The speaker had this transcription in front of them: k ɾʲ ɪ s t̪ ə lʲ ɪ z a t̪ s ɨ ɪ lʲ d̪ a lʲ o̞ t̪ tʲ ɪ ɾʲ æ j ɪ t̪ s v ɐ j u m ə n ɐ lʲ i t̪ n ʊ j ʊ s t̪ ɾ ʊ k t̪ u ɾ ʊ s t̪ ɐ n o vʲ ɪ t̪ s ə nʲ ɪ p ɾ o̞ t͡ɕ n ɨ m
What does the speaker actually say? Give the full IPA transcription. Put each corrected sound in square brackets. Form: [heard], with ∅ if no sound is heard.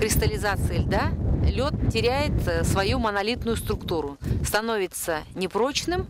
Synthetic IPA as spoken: k ɾʲ ɪ s t̪ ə lʲ ɪ z a t̪ s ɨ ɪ lʲ d̪ a lʲ o̞ t̪ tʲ ɪ ɾʲ æ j ɪ t̪ s v ɐ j u m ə n ɐ lʲ i t̪ n ʊ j ʊ s t̪ ɾ ʊ k t̪ u ɾ ʊ s t̪ ɐ n o vʲ ɪ t̪ s ə nʲ ɪ p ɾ o̞ t͡ɕ n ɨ m

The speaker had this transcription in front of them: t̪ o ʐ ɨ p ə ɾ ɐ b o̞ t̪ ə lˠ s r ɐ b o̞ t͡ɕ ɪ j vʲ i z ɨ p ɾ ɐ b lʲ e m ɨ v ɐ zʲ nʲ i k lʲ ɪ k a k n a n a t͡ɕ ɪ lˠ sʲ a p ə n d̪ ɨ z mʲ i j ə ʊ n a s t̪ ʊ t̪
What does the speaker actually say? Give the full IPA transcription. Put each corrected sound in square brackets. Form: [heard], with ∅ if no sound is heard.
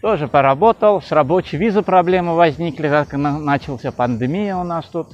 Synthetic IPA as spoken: t̪ o ʐ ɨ p ə ɾ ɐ b o̞ t̪ ə lˠ s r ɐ b o̞ t͡ɕ ɪ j vʲ i z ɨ p ɾ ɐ b lʲ e m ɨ v ɐ zʲ nʲ i k lʲ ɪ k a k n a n a t͡ɕ ɪ lˠ sʲ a p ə n d̪ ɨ [∅] mʲ i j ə ʊ n a s t̪ [u] t̪

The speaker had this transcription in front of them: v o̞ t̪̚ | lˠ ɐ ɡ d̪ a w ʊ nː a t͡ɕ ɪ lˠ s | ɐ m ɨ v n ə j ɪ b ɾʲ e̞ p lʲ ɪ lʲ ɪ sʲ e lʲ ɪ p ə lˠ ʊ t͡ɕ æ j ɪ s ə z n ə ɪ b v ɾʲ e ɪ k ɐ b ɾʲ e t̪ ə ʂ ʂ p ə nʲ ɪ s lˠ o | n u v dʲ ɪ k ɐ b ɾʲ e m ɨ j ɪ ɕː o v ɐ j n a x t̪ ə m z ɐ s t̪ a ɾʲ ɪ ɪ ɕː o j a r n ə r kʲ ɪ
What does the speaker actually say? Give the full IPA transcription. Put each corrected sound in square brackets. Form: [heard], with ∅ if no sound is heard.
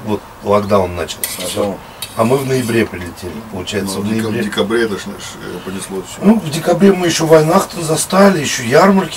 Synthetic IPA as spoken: v o̞ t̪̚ | lˠ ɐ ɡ d̪ a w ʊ nː a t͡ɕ ɪ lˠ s | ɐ m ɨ v n ə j ɪ b ɾʲ e̞ p [ɾʲ] ɪ lʲ ɪ [tʲ] e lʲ ɪ p ə lˠ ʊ t͡ɕ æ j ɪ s ə [v] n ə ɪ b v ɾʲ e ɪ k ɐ b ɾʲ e t̪ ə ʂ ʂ p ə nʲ ɪ s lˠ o | n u v dʲ ɪ k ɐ b ɾʲ e m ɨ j ɪ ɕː o v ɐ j n a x t̪ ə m z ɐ s t̪ a [lʲ] ɪ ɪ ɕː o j a r [m] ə r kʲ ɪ

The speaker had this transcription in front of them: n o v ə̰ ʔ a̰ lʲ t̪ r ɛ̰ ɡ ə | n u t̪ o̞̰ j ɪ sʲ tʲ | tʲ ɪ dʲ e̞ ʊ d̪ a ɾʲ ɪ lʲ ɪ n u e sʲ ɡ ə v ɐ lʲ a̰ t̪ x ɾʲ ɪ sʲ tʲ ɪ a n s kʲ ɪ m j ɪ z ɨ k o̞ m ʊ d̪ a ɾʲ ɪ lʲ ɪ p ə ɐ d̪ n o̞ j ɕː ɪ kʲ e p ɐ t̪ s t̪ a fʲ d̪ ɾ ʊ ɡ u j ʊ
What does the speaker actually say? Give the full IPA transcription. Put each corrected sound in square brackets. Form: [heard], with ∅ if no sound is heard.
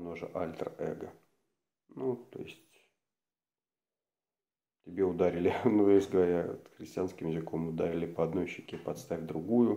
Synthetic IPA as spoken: n o [ʐ] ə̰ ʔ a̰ lʲ t̪ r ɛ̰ ɡ ə | n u t̪ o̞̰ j ɪ sʲ tʲ | tʲ ɪ [bʲ] e̞ ʊ d̪ a ɾʲ ɪ lʲ ɪ n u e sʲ ɡ ə v ɐ [ɾʲ] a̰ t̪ x ɾʲ ɪ sʲ tʲ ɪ a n s kʲ ɪ m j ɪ z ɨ k o̞ m ʊ d̪ a ɾʲ ɪ lʲ ɪ p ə ɐ d̪ n o̞ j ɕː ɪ kʲ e p ɐ t̪ s t̪ a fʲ d̪ ɾ ʊ ɡ u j ʊ

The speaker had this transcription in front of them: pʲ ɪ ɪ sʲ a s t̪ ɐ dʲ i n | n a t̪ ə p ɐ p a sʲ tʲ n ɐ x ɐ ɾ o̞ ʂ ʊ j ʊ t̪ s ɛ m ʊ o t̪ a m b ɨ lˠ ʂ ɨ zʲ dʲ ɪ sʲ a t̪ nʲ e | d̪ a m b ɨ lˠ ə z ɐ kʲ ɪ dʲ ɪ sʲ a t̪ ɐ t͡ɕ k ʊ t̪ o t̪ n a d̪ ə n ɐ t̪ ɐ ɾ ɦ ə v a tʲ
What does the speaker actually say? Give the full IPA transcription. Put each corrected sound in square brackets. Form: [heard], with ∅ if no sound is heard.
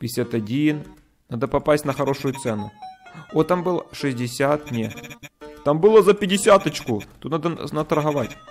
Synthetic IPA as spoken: pʲ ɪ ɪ sʲ a [∅] t̪ ɐ dʲ i n | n a [d̪] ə p ɐ p a sʲ tʲ n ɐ x ɐ ɾ o̞ ʂ ʊ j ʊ t̪ s ɛ [n] ʊ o t̪ a m b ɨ lˠ ʂ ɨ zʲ dʲ ɪ sʲ a t̪ nʲ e | [t̪] a m b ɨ lˠ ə z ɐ [pʲ] ɪ dʲ ɪ sʲ a t̪ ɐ t͡ɕ k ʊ t̪ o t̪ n a d̪ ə n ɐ t̪ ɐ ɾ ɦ [ɐ] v a tʲ

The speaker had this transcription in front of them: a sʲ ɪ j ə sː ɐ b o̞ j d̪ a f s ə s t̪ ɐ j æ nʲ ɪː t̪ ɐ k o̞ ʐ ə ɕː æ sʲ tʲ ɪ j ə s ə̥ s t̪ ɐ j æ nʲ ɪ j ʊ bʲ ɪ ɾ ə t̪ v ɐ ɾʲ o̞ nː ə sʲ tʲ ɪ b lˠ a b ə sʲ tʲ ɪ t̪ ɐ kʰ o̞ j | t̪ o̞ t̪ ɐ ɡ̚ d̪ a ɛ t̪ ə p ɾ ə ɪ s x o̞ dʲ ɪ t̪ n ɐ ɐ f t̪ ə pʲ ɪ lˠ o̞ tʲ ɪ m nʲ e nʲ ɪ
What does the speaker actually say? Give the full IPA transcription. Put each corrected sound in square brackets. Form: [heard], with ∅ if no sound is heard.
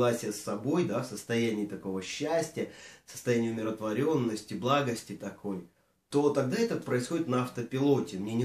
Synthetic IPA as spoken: a sʲ ɪ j ə sː ɐ b o̞ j d̪ a f s ə s t̪ ɐ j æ nʲ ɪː t̪ ɐ k o̞ [v] ə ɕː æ sʲ tʲ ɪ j ə s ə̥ s t̪ ɐ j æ nʲ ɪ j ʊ [mʲ] ɪ ɾ ə t̪ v ɐ ɾʲ o̞ nː ə sʲ tʲ ɪ b lˠ a [ɡ] ə sʲ tʲ ɪ t̪ ɐ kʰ o̞ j | t̪ o̞ t̪ ɐ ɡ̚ d̪ a ɛ t̪ ə p ɾ ə ɪ s x o̞ dʲ ɪ t̪ n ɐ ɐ f t̪ ə pʲ ɪ lˠ o̞ tʲ ɪ m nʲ e nʲ ɪ

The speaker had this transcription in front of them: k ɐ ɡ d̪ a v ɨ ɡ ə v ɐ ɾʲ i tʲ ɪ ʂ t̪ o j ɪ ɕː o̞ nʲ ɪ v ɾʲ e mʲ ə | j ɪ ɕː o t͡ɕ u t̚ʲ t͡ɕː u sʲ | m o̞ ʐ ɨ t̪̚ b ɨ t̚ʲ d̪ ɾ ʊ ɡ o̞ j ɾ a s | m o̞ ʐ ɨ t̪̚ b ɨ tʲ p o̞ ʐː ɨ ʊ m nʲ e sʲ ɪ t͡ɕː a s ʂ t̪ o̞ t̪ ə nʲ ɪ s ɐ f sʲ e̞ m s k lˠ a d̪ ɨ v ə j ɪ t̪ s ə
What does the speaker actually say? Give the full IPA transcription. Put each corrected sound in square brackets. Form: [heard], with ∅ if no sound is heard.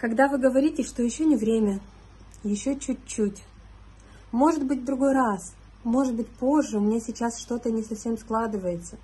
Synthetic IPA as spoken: k ɐ ɡ d̪ a v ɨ ɡ ə v ɐ ɾʲ i tʲ ɪ ʂ t̪ o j ɪ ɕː o̞ nʲ ɪ v ɾʲ e mʲ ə | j ɪ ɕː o t͡ɕ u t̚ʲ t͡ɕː u [tʲ] | m o̞ ʐ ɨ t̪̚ b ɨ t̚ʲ d̪ ɾ ʊ ɡ o̞ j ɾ a s | m o̞ ʐ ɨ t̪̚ b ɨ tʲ p o̞ ʐː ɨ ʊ m nʲ e sʲ ɪ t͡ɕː a s ʂ t̪ o̞ t̪ ə nʲ ɪ s ɐ f sʲ e̞ m s k lˠ a d̪ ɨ v ə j ɪ t̪ s ə

